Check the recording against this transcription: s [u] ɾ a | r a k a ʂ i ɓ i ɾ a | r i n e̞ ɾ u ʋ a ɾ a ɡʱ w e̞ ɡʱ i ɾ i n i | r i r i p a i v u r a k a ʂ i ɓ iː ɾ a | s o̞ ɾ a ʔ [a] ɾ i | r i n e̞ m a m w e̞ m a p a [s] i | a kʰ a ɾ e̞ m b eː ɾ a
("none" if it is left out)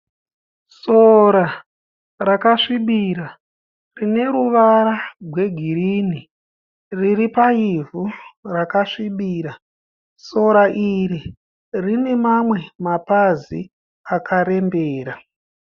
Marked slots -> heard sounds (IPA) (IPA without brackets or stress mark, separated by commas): o, i, z